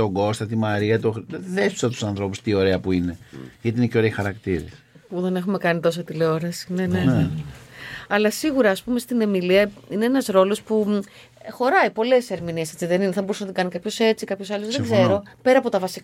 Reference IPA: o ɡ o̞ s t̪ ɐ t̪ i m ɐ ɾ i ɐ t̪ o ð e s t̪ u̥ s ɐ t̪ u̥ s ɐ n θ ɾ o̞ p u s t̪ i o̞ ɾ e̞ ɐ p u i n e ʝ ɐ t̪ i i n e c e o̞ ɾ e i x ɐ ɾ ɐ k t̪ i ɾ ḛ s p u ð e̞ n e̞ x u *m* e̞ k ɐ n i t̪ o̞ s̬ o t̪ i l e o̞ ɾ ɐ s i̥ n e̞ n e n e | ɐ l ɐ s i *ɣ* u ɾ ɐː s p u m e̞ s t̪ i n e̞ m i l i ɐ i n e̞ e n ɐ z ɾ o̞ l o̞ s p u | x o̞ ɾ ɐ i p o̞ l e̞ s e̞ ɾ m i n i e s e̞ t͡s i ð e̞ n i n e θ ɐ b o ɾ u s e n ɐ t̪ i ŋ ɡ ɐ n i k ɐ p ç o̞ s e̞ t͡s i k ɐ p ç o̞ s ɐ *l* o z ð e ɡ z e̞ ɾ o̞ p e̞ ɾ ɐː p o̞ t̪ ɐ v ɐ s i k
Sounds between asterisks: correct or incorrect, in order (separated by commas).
correct, correct, correct